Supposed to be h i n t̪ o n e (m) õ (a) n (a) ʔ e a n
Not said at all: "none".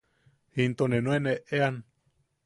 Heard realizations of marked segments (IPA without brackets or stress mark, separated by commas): n, e, e